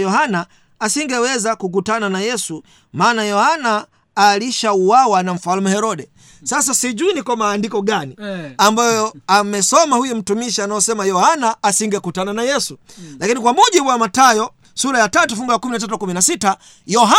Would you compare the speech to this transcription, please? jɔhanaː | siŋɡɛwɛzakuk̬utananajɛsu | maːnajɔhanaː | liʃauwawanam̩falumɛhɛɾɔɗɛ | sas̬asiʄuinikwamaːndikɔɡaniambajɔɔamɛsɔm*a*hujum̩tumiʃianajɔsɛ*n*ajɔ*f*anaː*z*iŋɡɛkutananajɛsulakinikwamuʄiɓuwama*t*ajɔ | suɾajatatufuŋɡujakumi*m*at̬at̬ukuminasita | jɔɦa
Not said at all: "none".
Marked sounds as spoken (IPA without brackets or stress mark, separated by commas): a, m, h, s, t, n